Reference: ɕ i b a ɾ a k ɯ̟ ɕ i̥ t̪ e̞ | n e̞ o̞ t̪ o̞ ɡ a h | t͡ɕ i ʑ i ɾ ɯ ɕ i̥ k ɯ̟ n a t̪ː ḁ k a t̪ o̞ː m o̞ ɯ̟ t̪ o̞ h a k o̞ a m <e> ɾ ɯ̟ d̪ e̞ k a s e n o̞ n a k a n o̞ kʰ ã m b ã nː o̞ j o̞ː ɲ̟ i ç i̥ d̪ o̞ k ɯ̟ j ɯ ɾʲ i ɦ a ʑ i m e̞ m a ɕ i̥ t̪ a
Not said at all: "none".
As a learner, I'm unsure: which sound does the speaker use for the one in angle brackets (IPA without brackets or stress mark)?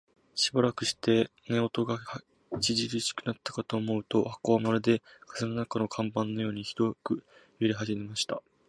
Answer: a